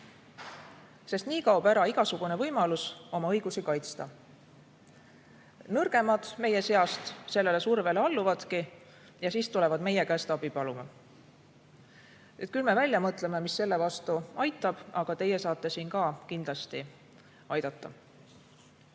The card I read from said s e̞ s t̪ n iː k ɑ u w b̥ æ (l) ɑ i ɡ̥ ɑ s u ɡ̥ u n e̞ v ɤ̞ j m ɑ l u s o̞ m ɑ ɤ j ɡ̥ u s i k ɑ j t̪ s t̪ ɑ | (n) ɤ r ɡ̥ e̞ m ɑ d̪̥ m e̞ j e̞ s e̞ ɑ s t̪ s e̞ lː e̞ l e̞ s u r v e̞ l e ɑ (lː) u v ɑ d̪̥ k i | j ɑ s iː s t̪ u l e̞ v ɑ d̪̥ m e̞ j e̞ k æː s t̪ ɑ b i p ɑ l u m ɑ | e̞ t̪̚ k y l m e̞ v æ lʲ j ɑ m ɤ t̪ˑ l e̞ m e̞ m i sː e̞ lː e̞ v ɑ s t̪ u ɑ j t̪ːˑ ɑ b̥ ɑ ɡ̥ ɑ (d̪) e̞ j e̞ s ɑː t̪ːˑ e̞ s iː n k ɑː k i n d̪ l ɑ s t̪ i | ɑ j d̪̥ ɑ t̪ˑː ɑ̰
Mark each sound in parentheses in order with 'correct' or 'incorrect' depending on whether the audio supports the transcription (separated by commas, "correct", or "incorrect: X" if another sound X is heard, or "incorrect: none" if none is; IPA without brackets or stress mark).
incorrect: ɾ, correct, correct, incorrect: t̪